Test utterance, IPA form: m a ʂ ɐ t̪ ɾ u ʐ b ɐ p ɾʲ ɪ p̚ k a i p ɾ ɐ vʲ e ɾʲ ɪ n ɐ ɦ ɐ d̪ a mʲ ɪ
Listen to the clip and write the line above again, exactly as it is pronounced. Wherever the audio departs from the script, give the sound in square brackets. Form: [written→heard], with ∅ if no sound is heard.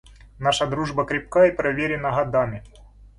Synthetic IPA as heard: [m→n] a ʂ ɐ [t̪→d̪] ɾ u ʐ b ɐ [p→k] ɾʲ ɪ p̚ k a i p ɾ ɐ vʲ e ɾʲ ɪ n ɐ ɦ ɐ d̪ a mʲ ɪ